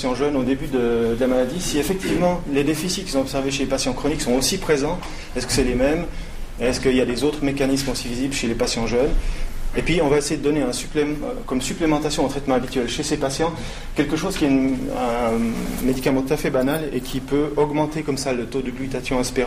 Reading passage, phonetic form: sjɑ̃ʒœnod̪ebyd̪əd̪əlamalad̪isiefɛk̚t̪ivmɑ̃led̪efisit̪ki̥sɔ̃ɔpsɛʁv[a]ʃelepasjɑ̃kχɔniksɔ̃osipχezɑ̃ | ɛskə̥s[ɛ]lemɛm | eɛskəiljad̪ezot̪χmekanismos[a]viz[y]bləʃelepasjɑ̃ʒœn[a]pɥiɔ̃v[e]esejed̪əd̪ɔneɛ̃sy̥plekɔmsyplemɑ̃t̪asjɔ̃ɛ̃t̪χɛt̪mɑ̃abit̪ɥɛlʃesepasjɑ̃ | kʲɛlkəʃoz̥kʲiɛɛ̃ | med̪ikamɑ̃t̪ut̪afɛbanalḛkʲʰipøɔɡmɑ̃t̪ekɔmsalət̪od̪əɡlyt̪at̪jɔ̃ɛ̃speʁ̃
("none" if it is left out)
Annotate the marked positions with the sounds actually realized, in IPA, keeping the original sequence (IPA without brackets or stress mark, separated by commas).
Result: e, ɛ, i, i, e, a